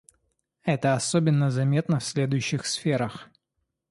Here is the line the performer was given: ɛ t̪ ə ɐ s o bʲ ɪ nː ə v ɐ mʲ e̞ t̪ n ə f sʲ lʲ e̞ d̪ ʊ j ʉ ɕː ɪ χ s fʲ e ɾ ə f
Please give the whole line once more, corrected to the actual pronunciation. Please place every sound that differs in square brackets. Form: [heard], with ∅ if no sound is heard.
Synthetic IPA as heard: ɛ t̪ ə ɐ s o bʲ ɪ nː ə [z] ɐ mʲ e̞ t̪ n ə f sʲ lʲ e̞ d̪ ʊ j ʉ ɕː ɪ [x] s fʲ e ɾ ə [x]